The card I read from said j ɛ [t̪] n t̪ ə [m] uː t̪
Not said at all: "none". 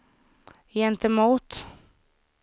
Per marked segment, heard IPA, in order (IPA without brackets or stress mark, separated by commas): none, m